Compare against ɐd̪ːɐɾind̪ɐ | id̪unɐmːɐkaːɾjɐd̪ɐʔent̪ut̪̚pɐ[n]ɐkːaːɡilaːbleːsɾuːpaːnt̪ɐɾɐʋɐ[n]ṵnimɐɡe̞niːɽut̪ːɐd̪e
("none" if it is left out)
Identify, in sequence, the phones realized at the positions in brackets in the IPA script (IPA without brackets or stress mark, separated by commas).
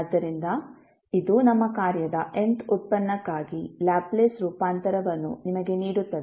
nː, nː